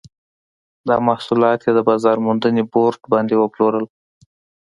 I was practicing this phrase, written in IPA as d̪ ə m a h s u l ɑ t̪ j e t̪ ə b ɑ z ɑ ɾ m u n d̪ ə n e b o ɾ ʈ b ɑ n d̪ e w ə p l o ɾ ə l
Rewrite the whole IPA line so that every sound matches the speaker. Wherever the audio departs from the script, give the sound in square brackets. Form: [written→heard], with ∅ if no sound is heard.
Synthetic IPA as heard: d̪ [ə→ɑ] m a h s u l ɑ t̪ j e [t̪→d̪] ə b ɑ z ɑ ɾ m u n d̪ ə n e b o ɾ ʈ b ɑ n d̪ e w ə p l o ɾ ə l

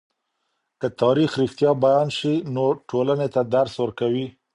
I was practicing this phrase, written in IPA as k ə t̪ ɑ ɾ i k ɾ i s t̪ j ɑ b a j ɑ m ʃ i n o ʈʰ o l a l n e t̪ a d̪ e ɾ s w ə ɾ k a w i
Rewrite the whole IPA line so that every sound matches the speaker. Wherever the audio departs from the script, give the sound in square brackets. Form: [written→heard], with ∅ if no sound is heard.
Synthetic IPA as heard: k ə t̪ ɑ ɾ i [k→x] ɾ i [s→x] t̪ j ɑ b a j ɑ [m→n] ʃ i n o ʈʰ o l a [l→∅] n e t̪ a d̪ [e→a] ɾ s w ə ɾ k a w i

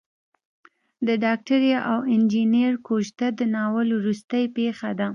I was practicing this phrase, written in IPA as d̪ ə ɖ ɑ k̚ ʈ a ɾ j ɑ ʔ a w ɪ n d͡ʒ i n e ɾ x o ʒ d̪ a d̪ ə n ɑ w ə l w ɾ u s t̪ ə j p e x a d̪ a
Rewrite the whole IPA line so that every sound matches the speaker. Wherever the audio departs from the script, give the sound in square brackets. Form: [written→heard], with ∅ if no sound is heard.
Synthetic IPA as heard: d̪ ə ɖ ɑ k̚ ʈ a ɾ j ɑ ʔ a w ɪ n d͡ʒ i n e ɾ [x→k] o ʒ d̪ a d̪ ə n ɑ w ə l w ɾ u s t̪ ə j p e x a d̪ a

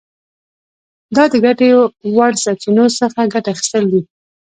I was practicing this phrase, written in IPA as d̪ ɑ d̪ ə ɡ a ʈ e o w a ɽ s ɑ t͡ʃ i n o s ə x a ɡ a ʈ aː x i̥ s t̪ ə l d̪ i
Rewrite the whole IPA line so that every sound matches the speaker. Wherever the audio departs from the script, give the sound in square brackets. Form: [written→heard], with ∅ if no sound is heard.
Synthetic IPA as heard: d̪ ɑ d̪ ə ɡ a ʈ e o w a ɽ s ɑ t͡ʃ i n o s ə x a ɡ a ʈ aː x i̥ s t̪ ə l d̪ i

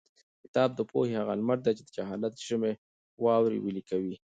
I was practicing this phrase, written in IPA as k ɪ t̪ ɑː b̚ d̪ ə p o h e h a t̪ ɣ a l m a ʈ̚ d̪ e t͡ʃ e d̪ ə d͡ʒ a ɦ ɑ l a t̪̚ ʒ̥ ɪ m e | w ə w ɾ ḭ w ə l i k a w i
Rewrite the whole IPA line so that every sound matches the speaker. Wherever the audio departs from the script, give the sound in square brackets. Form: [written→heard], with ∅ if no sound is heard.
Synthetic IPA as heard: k ɪ t̪ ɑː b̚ d̪ ə p o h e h a [t̪→∅] ɣ a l m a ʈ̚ d̪ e t͡ʃ e d̪ ə d͡ʒ a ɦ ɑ l a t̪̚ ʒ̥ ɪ m e | w [ə→ɑ] w ɾ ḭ w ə l i k a w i

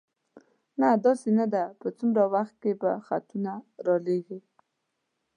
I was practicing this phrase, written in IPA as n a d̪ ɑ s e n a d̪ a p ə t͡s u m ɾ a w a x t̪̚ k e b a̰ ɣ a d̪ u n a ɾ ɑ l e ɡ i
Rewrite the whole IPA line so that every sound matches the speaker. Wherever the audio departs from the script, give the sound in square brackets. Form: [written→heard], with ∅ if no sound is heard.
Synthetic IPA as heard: n a d̪ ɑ s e n a d̪ a p ə t͡s u m ɾ a w a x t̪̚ k e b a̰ [ɣ→x] a [d̪→t̪] u n a ɾ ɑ l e ɡ i

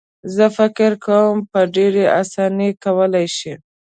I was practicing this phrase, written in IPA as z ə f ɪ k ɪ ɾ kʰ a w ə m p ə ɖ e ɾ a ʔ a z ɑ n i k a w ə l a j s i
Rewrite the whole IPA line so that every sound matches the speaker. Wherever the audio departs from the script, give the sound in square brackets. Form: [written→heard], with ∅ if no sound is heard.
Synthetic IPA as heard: z ə f ɪ k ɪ ɾ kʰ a w ə m p ə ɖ e ɾ [a→e] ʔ a [z→s] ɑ n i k a w ə l a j [s→ʃ] i

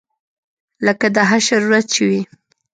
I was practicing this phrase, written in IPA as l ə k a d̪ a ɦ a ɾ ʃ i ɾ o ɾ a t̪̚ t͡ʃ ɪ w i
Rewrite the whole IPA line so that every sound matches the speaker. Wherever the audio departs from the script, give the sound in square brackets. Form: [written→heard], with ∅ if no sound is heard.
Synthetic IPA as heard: l ə k a d̪ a ɦ a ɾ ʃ [i→a] ɾ [o→u] ɾ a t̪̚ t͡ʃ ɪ w i

